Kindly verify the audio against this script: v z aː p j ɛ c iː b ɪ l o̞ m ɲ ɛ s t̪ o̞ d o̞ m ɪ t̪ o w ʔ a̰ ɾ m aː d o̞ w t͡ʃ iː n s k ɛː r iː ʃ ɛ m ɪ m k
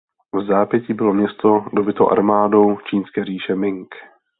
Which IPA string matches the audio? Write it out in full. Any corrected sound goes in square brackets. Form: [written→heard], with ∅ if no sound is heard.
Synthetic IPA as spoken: v z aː p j ɛ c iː b ɪ l o̞ m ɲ ɛ s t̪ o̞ d o̞ [m→b] ɪ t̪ o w ʔ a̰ ɾ m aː d o̞ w t͡ʃ iː n s k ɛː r iː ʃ ɛ m ɪ [m→ŋ] k